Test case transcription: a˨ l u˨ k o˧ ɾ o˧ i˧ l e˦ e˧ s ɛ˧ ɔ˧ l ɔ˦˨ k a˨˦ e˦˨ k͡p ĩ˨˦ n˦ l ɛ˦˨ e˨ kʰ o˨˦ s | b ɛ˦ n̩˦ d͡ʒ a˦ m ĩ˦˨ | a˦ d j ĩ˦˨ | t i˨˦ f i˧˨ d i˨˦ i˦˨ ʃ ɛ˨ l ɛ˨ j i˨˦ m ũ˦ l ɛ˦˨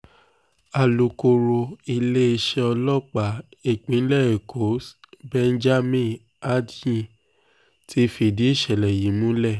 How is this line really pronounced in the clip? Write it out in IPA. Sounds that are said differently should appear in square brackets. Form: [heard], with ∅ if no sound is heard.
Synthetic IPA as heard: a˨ l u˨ k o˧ ɾ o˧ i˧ l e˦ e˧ [ʃ] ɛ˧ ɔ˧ l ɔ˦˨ [k͡p] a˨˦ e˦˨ k͡p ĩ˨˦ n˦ l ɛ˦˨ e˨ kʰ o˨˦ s | b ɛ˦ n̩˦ d͡ʒ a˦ m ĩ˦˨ | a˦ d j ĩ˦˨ | t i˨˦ f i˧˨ d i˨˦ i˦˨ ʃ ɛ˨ l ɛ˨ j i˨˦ m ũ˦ l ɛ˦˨